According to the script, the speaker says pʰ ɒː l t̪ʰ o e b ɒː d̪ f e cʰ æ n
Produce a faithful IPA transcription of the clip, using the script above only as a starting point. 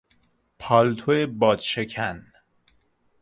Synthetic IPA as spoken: pʰ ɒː l t̪ʰ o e b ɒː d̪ ʃ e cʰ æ n